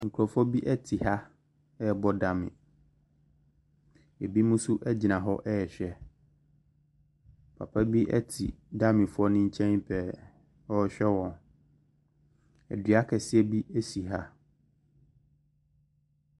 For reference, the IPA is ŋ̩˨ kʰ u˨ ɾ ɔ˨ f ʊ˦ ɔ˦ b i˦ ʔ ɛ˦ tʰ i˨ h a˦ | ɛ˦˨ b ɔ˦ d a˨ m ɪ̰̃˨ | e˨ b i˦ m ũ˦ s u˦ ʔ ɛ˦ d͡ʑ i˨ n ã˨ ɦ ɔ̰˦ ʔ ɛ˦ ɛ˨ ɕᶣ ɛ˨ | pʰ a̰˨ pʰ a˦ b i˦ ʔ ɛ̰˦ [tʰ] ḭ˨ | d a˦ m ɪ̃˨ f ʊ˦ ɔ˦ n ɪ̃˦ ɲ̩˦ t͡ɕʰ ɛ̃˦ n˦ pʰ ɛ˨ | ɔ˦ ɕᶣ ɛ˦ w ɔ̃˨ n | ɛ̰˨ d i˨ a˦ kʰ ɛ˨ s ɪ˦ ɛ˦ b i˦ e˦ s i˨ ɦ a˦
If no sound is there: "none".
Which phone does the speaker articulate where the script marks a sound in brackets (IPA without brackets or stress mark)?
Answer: tʰ